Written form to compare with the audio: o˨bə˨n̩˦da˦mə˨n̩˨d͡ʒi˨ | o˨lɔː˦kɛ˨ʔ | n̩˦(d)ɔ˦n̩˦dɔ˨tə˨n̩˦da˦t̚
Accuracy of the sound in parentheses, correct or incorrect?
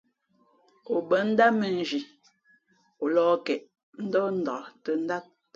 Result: correct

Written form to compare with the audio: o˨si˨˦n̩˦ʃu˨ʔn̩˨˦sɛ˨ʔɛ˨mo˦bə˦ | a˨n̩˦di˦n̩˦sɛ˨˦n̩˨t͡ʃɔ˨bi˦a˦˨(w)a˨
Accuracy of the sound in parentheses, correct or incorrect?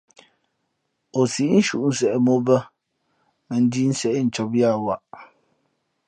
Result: correct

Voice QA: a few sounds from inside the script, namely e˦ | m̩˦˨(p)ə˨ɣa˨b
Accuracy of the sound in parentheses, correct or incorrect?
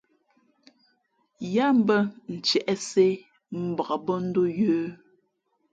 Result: incorrect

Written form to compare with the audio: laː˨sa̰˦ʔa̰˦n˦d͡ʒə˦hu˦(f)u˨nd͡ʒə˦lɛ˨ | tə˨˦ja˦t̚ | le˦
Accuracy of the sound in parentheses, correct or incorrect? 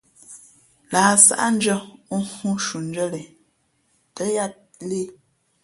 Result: incorrect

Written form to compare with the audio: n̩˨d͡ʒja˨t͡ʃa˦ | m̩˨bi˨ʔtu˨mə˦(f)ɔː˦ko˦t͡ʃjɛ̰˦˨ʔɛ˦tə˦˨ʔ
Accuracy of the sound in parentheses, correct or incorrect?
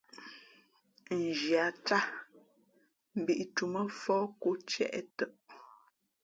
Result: correct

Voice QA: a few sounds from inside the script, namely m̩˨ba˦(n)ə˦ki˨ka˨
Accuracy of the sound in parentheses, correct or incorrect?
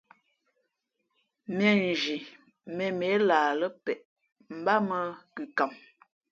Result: incorrect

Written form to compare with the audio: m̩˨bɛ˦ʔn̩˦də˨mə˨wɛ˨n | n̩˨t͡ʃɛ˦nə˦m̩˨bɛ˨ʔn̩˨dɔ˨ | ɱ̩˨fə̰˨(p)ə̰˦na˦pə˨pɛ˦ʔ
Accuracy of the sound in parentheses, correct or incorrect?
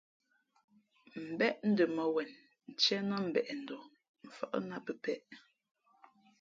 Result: incorrect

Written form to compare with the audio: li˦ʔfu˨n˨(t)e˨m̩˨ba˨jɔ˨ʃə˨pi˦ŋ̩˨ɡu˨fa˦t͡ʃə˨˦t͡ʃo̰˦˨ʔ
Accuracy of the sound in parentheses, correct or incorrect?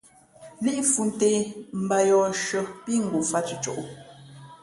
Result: correct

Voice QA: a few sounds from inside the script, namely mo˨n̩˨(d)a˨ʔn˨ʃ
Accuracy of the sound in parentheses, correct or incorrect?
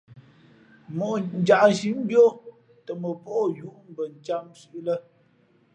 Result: incorrect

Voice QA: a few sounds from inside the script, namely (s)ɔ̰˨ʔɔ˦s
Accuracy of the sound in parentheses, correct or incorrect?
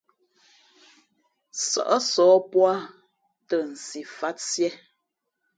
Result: correct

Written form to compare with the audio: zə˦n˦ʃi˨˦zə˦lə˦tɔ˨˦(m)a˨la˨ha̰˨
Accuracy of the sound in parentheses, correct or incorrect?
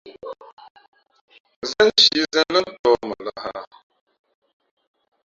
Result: correct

